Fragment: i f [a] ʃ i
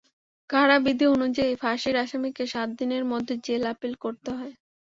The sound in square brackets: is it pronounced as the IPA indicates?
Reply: yes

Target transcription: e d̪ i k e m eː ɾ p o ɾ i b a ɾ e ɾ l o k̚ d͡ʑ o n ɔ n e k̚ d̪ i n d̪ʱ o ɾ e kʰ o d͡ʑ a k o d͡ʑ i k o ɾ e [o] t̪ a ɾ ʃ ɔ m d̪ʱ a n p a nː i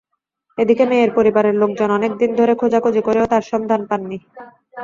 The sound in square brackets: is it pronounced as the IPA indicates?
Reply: yes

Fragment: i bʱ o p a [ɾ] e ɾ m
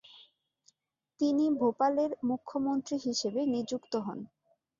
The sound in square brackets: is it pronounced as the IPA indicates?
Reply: no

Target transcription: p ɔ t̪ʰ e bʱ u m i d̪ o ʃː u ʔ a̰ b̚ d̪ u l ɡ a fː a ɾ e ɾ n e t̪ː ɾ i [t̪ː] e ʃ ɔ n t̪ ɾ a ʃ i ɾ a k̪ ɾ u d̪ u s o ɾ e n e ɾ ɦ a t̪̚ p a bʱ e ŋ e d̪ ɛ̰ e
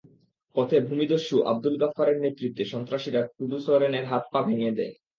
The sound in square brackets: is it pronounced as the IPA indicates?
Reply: yes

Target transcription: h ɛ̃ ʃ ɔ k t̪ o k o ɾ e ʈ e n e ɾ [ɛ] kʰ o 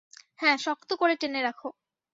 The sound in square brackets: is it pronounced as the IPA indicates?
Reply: no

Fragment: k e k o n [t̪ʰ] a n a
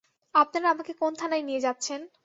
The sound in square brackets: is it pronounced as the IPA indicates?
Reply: yes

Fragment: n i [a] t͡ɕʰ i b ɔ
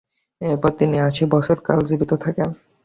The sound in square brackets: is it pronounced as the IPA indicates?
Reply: yes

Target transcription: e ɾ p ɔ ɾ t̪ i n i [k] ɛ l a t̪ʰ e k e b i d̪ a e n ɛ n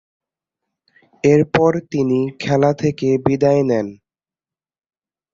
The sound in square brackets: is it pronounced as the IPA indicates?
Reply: no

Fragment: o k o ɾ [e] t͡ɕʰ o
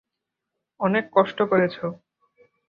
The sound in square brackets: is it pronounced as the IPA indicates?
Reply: yes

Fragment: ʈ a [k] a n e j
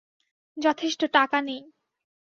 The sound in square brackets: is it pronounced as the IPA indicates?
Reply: yes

